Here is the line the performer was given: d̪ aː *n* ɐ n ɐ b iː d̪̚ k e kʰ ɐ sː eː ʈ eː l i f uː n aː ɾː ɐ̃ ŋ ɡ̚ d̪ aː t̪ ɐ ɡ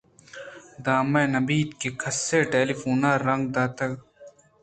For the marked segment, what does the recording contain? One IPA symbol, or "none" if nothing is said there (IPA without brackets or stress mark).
m